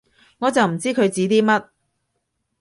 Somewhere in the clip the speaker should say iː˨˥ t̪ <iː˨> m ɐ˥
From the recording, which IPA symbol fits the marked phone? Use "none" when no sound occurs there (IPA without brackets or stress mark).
iː˥